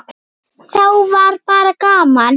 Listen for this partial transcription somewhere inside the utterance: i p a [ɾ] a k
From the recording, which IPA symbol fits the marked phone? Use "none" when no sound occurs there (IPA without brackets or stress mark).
ɾ